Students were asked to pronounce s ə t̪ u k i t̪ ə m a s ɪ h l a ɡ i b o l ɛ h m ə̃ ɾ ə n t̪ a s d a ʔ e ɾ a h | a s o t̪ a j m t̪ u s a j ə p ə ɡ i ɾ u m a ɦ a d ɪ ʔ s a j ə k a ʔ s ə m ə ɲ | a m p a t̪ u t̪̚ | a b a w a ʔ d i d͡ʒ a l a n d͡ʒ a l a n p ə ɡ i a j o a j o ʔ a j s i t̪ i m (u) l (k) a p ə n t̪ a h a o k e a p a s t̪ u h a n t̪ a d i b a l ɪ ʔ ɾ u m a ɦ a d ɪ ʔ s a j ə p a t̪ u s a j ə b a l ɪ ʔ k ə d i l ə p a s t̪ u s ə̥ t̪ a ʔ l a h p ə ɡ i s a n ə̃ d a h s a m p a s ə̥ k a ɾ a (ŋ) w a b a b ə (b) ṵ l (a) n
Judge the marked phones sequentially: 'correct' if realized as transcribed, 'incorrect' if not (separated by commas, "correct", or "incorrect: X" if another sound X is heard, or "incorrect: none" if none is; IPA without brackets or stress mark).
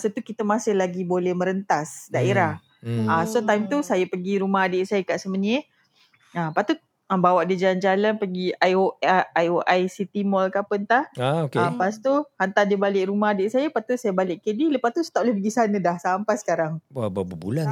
incorrect: ɔ, correct, correct, correct, correct